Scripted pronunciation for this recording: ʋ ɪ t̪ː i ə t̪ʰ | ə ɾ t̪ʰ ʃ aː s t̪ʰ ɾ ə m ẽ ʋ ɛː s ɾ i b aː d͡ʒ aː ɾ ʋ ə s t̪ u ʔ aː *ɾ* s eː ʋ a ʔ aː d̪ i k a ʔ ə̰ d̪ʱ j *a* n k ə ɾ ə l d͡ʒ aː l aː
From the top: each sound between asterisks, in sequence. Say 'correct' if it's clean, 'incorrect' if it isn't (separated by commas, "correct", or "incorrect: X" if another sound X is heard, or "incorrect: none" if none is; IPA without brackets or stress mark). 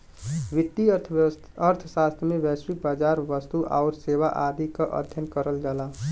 correct, incorrect: ə